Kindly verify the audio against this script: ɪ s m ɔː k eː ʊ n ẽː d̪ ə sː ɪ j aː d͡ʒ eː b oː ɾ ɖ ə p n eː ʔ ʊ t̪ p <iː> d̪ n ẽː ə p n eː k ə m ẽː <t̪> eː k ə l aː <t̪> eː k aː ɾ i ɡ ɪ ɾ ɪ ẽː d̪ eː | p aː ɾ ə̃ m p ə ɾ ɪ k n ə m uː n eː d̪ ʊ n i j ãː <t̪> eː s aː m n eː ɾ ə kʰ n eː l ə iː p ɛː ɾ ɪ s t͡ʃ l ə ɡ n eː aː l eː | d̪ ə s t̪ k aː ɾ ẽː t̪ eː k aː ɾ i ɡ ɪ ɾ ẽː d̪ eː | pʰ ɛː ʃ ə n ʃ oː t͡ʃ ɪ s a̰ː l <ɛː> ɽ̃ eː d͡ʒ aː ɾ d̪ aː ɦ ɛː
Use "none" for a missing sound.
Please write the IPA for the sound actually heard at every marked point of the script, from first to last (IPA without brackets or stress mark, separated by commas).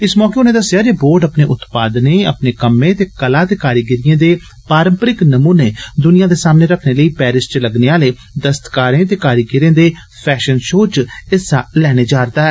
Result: aː, t̪, t̪, d̪, ɛː